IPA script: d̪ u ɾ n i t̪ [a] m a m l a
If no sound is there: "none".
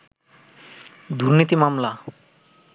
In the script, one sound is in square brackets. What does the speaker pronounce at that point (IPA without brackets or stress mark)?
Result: i